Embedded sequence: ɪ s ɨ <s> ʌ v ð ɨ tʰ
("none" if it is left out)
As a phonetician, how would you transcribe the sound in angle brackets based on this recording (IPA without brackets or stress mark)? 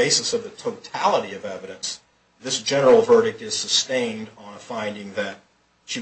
s